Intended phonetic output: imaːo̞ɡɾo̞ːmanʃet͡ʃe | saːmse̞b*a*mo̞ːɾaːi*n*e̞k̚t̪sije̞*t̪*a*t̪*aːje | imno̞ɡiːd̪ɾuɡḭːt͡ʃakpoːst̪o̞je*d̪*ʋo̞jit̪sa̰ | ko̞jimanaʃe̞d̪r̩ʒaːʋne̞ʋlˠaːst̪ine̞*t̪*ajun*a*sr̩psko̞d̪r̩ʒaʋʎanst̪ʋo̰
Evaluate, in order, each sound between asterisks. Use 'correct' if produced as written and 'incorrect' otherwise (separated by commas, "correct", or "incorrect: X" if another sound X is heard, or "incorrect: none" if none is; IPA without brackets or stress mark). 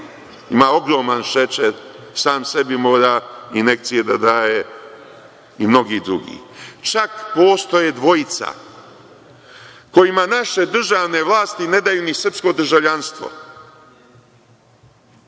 incorrect: i, correct, incorrect: d̪, incorrect: d̪, correct, incorrect: d̪, incorrect: i